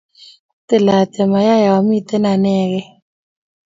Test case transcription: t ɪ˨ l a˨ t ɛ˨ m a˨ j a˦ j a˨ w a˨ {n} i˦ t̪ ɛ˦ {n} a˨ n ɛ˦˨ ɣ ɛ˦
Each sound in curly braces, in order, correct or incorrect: incorrect: m, correct

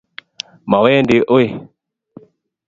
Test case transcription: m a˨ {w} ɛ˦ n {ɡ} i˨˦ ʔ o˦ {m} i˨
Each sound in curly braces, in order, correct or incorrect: correct, incorrect: d, incorrect: none

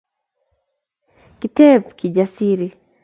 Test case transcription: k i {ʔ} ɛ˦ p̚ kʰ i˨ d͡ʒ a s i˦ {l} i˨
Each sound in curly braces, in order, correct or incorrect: incorrect: t, incorrect: ɾ

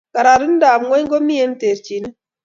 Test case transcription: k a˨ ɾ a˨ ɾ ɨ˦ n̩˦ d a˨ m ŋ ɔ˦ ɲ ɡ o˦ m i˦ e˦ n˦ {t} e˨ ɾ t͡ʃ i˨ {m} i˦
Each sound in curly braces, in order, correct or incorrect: correct, incorrect: n

